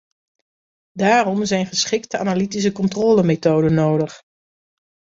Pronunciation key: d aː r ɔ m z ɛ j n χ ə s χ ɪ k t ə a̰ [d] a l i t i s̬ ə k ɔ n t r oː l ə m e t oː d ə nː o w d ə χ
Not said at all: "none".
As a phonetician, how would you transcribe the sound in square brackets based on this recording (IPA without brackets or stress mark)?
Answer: n